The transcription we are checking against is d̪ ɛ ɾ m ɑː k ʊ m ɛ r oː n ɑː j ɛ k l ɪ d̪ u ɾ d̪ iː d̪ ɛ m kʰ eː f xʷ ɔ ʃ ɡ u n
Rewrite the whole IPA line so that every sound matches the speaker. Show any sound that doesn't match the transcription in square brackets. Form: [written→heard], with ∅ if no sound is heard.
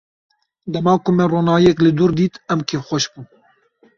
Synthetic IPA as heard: d̪ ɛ [ɾ→∅] m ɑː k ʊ m ɛ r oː n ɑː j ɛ k l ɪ d̪ u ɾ d̪ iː [d̪→t̪] ɛ m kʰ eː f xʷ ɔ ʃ [ɡ→b] u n

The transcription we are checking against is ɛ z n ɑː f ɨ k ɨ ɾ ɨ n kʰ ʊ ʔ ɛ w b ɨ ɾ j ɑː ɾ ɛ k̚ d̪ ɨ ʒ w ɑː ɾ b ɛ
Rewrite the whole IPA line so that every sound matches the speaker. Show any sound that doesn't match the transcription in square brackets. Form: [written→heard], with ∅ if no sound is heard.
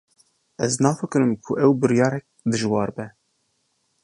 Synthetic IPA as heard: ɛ z n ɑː f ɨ k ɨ ɾ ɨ [n→m] kʰ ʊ ʔ ɛ w b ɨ ɾ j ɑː ɾ ɛ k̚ d̪ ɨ ʒ w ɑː ɾ b ɛ

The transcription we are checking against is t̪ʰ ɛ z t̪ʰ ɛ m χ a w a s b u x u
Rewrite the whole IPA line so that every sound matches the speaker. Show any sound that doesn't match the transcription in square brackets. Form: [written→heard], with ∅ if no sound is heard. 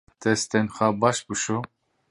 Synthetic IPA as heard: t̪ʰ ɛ [z→s] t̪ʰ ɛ [m→n] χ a [w→b] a [s→ʃ] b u [x→ʃ] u

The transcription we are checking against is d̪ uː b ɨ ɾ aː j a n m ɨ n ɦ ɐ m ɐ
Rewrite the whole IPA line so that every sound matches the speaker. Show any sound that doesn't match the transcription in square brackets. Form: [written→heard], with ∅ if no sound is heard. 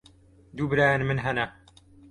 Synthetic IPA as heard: d̪ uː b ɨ ɾ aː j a n m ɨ n ɦ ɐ [m→n] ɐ

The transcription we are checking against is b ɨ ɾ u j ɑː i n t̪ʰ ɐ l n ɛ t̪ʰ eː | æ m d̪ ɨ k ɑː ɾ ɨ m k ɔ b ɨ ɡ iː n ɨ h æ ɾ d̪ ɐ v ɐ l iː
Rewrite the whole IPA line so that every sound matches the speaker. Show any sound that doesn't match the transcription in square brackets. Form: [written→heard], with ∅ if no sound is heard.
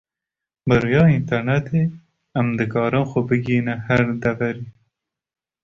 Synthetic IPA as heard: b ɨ ɾ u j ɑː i n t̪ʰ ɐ [l→ɾ] n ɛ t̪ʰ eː | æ m d̪ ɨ k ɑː ɾ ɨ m [k→x] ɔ b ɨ ɡ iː n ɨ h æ ɾ d̪ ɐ v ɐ [l→ɾ] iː

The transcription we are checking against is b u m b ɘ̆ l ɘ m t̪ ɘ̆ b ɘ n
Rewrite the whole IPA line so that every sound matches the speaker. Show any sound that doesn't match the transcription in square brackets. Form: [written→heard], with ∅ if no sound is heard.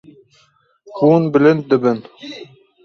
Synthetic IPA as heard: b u [m→n] b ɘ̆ l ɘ [m→n] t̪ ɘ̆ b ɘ n

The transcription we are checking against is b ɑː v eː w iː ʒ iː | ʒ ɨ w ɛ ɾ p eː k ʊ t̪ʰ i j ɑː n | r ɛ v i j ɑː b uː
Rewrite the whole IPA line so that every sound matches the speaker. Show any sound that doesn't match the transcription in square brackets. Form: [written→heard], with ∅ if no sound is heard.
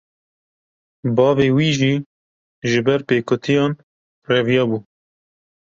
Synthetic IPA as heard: b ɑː v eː w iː ʒ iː | ʒ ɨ [w→b] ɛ ɾ p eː k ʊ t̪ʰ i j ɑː n | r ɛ v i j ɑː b uː

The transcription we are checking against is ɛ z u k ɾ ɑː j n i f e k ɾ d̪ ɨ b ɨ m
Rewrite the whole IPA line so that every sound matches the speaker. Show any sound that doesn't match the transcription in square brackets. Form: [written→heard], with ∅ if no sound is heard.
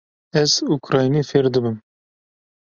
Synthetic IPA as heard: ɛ z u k ɾ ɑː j n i f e [k→∅] ɾ d̪ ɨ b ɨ m

